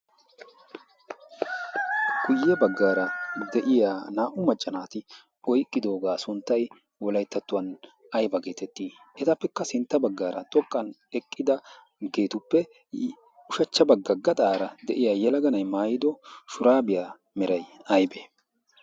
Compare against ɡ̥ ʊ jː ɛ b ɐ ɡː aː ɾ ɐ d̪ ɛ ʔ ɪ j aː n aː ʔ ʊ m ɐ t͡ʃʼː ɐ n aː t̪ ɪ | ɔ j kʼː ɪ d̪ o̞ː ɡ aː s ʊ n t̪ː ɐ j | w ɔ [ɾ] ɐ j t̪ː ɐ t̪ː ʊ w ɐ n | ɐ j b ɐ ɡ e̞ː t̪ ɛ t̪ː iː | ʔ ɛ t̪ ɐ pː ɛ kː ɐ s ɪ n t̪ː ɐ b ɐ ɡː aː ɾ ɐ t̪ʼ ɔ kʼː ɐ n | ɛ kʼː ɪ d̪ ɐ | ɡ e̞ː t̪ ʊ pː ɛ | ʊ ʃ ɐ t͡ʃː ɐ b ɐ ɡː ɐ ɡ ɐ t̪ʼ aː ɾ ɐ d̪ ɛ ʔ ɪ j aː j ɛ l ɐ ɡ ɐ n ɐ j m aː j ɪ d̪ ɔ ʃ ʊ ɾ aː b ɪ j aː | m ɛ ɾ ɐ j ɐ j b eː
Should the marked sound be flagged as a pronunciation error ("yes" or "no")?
yes